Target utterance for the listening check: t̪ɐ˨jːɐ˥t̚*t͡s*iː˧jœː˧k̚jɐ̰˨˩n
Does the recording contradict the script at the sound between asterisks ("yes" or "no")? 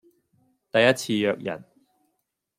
yes